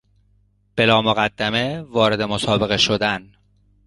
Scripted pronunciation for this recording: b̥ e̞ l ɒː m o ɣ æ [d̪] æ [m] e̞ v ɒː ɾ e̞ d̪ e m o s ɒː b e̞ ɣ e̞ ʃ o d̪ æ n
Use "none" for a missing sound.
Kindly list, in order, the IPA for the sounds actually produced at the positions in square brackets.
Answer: d̪ː, m

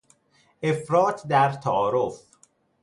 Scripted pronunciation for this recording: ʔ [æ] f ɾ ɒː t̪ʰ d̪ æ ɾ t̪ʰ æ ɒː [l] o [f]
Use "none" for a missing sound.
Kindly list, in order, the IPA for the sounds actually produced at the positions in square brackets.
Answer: e, ɾ, f

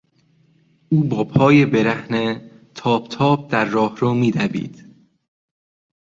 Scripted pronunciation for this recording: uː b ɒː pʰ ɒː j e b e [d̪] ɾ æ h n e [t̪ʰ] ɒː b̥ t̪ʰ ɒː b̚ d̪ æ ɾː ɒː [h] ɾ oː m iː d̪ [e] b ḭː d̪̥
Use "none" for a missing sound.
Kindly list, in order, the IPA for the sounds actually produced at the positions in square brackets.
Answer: none, t̪ʰ, h, æ

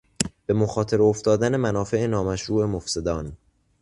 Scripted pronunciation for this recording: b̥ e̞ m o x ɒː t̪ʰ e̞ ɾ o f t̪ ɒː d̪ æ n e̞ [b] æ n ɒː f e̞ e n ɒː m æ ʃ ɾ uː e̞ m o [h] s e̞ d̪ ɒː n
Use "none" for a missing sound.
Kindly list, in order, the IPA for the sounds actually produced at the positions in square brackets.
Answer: m, f

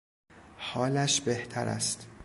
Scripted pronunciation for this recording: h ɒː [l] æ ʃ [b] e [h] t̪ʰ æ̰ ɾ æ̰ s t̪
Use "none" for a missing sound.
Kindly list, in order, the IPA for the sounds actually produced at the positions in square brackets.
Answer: l, b, h

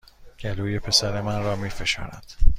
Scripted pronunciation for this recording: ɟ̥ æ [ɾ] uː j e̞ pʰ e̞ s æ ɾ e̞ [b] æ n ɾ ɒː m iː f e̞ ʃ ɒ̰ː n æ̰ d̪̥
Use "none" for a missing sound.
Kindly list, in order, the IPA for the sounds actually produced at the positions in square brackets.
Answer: l, m

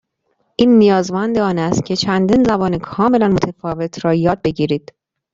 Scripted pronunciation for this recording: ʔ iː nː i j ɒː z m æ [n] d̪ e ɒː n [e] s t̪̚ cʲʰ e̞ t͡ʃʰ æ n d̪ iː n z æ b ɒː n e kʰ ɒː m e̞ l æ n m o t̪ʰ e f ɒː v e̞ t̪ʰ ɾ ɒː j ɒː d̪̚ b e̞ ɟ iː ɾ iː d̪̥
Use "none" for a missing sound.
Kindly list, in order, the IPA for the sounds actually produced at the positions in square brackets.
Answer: n, æ

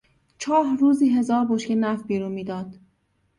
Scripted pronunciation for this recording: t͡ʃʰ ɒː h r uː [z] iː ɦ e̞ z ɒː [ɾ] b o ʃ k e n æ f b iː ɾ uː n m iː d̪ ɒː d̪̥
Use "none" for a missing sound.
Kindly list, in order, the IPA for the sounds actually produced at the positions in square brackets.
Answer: z, ɾ

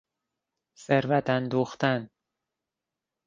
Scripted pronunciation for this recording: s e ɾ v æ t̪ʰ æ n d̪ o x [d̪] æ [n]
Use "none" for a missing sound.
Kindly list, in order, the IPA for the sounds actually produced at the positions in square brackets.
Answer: t̪, n

